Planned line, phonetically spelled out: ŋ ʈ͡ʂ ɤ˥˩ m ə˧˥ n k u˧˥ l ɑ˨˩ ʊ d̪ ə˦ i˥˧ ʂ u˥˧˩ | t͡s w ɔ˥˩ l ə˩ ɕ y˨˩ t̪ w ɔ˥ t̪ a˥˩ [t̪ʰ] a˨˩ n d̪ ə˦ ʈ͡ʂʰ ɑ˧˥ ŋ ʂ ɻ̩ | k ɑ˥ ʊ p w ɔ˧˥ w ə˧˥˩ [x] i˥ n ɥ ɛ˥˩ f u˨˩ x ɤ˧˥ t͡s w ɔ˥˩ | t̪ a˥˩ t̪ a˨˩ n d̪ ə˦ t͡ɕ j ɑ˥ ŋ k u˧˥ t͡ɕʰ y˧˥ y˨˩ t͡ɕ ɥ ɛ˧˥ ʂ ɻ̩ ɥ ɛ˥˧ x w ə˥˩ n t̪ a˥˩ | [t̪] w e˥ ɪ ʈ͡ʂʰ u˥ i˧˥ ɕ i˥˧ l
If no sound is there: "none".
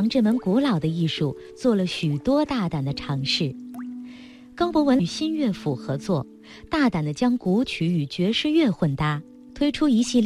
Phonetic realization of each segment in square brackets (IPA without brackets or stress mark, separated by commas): t̪, ɕ, t̪ʰ